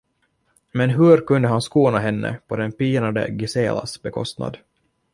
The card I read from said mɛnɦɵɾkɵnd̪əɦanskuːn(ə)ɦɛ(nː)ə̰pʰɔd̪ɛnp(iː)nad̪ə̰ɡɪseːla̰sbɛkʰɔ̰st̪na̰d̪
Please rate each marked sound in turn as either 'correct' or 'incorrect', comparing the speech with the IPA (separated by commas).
incorrect, correct, correct